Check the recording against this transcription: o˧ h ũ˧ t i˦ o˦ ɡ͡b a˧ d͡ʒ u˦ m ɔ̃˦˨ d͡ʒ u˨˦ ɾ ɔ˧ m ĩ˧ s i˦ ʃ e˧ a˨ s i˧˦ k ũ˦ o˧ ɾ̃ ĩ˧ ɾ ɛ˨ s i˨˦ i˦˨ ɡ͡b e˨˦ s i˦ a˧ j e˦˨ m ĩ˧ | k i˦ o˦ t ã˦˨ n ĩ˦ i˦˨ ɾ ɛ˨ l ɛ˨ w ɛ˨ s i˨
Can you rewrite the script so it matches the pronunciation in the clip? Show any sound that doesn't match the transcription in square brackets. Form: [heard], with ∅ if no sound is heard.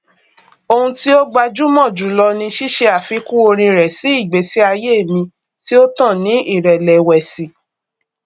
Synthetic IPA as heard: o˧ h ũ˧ t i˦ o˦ ɡ͡b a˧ d͡ʒ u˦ m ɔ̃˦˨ d͡ʒ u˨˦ [l] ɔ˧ [n] ĩ˧ [ʃ] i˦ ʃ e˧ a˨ [f] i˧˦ k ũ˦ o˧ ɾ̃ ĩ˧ ɾ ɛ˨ s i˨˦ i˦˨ ɡ͡b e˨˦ s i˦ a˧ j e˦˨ m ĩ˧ | [t] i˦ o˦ t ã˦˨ n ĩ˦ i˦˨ ɾ ɛ˨ l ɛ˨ w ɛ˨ s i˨